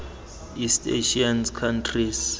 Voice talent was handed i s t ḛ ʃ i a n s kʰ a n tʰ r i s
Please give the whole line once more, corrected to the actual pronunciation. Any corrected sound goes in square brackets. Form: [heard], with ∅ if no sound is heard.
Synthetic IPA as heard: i s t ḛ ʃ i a n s kʰ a n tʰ r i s